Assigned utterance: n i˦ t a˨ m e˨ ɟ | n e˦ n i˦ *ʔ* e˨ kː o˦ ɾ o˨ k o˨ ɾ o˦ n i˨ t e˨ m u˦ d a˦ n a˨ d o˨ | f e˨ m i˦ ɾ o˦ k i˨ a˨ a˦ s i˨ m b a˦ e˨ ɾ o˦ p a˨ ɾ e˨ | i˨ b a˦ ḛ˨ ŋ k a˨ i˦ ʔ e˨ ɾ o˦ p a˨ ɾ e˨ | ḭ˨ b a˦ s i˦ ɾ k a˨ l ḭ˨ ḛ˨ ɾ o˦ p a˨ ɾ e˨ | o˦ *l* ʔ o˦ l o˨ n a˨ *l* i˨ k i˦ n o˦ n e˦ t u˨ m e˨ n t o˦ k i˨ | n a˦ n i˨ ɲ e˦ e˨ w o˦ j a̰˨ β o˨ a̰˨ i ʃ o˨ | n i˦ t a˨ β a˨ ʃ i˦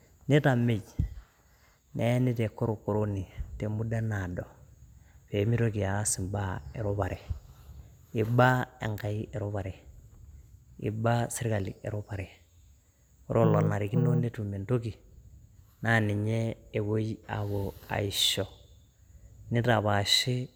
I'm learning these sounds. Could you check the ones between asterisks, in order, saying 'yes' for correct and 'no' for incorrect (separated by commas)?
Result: no, no, no